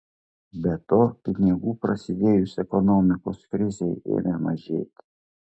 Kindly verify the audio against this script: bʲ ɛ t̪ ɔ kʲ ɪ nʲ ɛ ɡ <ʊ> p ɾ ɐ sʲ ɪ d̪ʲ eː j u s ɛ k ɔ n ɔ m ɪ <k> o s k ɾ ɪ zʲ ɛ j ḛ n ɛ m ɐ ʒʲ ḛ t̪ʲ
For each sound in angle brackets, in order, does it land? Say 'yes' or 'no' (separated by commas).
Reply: no, yes